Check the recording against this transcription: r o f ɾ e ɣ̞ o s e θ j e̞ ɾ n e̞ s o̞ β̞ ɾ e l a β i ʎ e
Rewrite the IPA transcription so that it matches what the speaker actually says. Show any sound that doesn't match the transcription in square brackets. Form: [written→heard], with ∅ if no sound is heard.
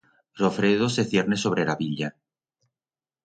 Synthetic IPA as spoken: r o f ɾ e [ɣ̞→ð̞] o s e θ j e̞ ɾ n e̞ s o̞ β̞ ɾ e l a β i ʎ [e→a]